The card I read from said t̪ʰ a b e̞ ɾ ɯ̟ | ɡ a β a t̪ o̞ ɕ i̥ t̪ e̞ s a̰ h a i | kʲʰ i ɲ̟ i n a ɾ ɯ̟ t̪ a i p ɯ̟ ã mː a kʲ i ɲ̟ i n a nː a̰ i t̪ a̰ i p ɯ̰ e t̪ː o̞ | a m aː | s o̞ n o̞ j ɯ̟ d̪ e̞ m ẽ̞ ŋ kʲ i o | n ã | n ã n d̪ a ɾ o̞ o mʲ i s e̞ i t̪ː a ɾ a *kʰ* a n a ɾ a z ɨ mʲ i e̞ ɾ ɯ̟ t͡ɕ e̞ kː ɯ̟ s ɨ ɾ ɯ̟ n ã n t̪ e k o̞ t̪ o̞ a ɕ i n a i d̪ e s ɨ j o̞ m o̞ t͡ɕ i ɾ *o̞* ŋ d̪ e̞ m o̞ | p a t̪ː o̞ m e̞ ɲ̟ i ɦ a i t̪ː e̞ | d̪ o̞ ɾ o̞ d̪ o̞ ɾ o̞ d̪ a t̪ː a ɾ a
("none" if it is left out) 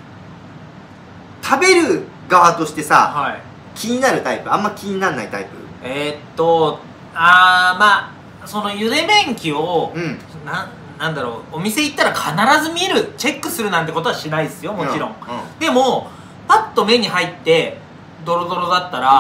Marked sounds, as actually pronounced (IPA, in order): kʰ, õ̞

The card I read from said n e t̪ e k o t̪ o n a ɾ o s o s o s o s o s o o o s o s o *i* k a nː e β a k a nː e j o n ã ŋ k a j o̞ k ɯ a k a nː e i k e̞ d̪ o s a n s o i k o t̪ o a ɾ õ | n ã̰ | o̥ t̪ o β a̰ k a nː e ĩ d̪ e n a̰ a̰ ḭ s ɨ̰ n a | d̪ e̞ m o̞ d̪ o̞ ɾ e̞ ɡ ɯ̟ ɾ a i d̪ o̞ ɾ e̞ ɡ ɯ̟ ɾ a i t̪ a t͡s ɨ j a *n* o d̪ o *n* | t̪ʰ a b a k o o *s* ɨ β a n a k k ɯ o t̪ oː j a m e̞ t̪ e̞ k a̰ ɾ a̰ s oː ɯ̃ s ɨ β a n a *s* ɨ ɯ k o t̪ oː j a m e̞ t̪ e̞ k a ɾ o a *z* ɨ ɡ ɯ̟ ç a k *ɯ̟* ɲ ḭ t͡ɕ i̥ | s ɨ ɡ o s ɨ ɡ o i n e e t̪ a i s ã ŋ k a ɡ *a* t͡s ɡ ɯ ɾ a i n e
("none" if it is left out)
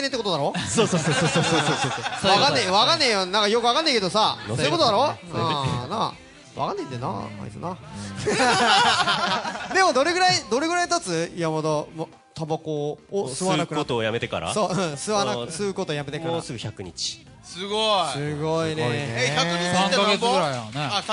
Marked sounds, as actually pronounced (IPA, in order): a, m, m, s, s, s, ɯ̟, e

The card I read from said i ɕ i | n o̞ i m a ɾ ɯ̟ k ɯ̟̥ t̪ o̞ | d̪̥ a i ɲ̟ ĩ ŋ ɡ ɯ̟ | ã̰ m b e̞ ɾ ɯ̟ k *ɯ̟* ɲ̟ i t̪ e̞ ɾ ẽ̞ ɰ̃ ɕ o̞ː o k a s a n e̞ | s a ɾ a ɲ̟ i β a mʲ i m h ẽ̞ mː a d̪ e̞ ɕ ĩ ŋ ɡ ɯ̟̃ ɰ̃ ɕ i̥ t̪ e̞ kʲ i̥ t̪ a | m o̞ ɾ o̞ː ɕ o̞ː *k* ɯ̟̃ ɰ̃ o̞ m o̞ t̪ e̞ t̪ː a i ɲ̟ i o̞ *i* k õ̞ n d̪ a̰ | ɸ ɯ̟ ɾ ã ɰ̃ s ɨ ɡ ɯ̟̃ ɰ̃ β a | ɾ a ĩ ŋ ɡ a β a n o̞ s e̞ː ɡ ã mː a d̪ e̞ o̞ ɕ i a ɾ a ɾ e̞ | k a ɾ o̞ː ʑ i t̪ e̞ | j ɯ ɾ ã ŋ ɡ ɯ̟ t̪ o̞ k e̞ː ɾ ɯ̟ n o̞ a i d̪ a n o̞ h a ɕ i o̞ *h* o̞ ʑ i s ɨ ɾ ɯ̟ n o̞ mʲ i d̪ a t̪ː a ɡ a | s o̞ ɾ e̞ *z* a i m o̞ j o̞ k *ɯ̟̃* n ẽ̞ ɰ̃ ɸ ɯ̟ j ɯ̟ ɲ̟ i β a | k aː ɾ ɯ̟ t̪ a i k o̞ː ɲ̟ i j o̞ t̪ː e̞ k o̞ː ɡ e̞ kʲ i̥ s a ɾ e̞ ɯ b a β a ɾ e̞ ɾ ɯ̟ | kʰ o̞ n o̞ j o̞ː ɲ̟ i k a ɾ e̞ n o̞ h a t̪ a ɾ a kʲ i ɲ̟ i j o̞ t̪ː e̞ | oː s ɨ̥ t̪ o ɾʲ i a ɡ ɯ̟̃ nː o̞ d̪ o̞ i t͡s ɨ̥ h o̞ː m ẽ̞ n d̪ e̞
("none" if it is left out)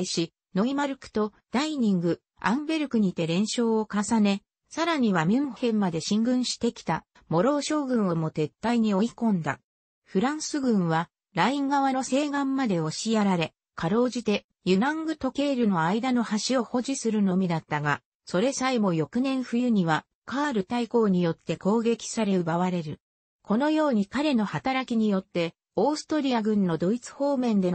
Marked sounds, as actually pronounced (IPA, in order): ɯ̟, ɡ, i, h, s, ɯ̟

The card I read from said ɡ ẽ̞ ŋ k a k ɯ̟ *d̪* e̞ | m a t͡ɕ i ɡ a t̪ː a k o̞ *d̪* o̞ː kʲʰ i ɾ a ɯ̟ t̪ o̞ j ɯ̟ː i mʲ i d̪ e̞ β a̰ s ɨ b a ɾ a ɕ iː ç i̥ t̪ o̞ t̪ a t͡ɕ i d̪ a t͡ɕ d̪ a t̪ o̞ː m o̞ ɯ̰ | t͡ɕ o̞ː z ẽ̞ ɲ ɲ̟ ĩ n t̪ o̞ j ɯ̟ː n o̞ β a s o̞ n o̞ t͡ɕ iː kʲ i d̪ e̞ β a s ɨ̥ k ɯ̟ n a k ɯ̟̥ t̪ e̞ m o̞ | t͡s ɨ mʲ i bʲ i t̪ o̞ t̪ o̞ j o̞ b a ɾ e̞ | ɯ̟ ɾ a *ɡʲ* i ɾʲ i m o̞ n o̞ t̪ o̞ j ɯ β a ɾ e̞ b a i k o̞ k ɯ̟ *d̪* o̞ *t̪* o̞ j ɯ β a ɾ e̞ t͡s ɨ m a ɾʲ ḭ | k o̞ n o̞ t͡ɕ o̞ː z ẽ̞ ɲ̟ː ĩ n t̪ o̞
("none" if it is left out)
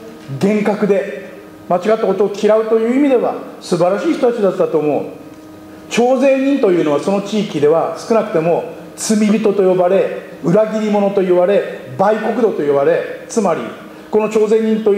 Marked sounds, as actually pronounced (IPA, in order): d̪, t̪, ɡʲ, d̪, t̪

